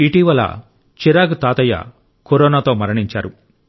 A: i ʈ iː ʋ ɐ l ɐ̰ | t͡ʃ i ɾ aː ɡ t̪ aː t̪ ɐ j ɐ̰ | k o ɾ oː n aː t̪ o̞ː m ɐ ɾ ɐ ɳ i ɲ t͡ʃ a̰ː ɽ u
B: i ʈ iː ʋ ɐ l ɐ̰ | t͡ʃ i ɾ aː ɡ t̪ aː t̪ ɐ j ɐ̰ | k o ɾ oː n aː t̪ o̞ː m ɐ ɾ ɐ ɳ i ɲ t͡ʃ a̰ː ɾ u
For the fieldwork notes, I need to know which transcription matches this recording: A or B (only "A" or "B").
B